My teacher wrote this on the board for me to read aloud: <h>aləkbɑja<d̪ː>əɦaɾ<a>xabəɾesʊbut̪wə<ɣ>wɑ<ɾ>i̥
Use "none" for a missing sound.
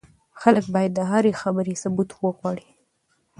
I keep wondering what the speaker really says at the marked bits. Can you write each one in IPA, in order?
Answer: x, d̪ː, e, ɣ, ɽ

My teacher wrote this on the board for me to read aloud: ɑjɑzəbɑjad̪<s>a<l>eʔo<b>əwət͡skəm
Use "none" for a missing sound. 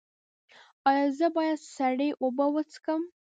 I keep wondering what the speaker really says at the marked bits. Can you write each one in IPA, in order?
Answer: s, ɽ, b

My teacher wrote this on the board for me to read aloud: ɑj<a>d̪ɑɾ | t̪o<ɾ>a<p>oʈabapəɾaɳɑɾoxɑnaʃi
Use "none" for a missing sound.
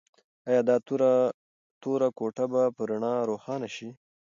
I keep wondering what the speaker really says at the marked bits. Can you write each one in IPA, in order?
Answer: ɑ, ɾ, k

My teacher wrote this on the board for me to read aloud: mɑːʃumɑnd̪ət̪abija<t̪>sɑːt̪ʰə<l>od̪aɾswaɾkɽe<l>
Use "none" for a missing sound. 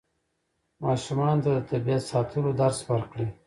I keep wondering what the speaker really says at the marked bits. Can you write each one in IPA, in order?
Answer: t̪, l, none

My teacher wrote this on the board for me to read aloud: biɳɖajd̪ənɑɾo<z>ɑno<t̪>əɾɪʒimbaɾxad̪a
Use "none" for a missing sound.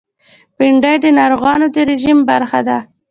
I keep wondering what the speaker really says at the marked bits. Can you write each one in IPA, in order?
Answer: ɣ, d̪

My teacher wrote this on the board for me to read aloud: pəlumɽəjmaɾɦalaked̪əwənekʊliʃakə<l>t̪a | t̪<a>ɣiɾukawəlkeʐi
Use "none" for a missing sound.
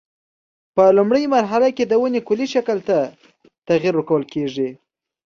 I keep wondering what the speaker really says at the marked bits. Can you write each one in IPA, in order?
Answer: l, a

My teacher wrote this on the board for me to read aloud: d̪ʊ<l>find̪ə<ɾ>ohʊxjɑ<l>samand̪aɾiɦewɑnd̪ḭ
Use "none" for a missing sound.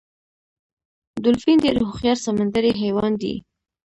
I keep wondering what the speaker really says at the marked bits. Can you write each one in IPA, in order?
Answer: l, ɾ, ɾ

